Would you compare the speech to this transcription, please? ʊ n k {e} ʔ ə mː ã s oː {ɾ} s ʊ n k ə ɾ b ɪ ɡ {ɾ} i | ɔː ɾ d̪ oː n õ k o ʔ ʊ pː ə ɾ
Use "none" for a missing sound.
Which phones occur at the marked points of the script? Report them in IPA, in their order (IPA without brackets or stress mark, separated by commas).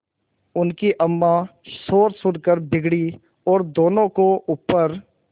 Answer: i, ɾ, ɽ